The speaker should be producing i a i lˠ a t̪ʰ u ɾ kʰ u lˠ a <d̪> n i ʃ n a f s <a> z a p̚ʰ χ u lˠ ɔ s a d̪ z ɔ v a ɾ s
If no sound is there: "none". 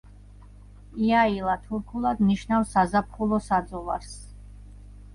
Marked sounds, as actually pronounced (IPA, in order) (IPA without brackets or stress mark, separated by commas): d̪, a